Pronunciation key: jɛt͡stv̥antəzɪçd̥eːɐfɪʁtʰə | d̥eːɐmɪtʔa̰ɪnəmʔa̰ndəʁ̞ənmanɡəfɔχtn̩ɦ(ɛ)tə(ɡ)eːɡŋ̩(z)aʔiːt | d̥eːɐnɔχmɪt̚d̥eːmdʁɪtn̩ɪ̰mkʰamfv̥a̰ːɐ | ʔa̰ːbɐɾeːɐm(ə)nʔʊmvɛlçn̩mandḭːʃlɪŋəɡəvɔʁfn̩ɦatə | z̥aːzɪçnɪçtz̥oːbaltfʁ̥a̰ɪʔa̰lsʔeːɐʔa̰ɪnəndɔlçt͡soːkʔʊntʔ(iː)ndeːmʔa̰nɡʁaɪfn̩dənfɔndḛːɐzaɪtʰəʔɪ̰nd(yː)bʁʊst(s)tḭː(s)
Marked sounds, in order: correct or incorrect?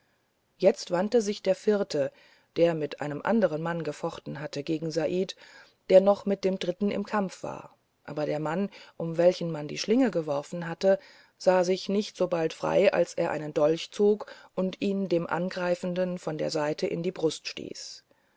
incorrect: a, correct, correct, incorrect: a, correct, incorrect: iː, incorrect: ʃ, correct

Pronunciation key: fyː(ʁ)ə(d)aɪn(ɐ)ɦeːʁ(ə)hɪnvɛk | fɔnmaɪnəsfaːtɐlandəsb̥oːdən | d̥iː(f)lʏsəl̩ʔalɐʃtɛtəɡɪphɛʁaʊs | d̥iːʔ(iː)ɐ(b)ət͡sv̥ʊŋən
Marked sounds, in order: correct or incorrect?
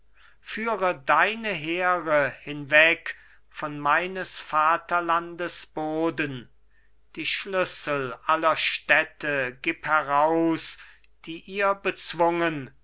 correct, correct, incorrect: ə, correct, incorrect: ʃ, correct, correct

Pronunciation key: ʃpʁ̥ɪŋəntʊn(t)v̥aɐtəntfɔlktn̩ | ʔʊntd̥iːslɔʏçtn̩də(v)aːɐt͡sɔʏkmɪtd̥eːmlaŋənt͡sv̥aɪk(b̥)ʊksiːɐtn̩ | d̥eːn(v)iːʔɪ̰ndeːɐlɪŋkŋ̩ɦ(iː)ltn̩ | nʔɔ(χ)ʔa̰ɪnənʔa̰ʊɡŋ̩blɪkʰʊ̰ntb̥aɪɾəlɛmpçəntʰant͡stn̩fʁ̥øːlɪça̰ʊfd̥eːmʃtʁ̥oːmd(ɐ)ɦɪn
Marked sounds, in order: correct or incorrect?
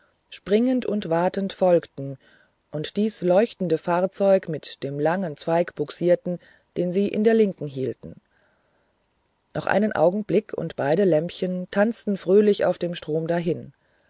correct, incorrect: f, correct, incorrect: z, correct, correct, incorrect: a

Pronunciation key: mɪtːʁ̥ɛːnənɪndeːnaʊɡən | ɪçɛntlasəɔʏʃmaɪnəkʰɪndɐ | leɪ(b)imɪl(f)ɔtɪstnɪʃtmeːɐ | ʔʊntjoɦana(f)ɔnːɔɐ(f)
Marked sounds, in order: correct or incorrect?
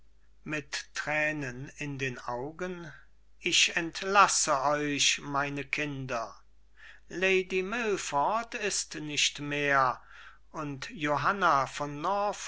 incorrect: d, correct, correct, correct

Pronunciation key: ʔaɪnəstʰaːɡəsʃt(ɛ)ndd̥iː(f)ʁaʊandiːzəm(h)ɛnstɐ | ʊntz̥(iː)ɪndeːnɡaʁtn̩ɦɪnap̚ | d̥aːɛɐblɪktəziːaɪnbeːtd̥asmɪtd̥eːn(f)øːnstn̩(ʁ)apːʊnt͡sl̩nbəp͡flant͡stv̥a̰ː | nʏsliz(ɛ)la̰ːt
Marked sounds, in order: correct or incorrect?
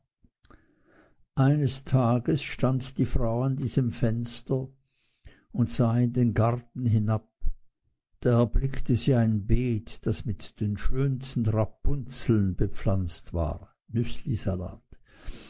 incorrect: a, correct, incorrect: f, incorrect: aː, incorrect: ʃ, correct, incorrect: a

